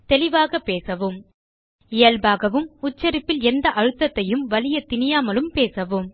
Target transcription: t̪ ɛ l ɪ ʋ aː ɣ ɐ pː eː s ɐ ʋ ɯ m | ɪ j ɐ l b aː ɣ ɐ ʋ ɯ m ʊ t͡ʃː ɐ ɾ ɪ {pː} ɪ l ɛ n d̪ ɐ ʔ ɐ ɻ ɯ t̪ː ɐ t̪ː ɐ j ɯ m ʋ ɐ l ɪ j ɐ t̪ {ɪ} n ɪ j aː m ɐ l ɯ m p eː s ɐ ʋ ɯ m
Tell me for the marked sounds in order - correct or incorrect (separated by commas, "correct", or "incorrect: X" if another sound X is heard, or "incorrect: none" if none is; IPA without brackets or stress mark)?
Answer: correct, correct